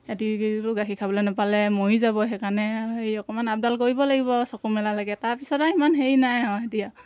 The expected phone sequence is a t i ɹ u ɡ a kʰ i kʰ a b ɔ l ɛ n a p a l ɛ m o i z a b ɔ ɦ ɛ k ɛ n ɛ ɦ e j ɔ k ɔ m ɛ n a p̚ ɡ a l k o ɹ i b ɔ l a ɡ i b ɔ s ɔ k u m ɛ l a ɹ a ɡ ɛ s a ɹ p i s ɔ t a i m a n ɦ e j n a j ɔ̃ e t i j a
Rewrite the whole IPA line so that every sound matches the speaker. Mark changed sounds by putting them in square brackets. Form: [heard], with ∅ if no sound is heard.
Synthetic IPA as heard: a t i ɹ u ɡ a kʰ i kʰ a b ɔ l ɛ n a p a l ɛ m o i z a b ɔ ɦ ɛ k [a] n ɛ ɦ e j ɔ k ɔ m [a] n a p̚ [d] a l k o ɹ i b ɔ l a ɡ i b ɔ s ɔ k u m ɛ l a [l] a ɡ ɛ [t] a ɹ p i s ɔ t a i m a n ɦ e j n a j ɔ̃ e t i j a